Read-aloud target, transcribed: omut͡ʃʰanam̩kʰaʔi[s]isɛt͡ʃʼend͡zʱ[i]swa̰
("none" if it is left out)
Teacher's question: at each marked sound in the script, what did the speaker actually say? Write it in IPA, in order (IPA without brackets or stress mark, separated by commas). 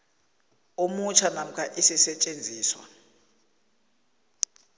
s, iː